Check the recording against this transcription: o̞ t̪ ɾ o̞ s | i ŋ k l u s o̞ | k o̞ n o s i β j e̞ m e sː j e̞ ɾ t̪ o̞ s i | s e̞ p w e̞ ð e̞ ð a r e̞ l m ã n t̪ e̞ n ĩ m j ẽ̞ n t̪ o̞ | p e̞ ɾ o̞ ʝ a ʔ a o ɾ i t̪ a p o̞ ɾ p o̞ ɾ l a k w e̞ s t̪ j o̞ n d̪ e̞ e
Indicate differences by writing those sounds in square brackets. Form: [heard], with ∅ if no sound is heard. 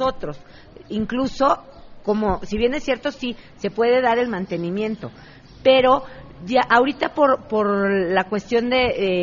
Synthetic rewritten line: o̞ t̪ ɾ o̞ s | i ŋ k l u s o̞ | k o̞ [m] o s i β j e̞ [n] e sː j e̞ ɾ t̪ o̞ s i | s e̞ p w e̞ ð e̞ ð a [ɾ] e̞ l m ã n t̪ e̞ n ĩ m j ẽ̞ n t̪ o̞ | p e̞ ɾ o̞ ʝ a ʔ a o ɾ i t̪ a p o̞ ɾ p o̞ ɾ l a k w e̞ s t̪ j o̞ n d̪ e̞ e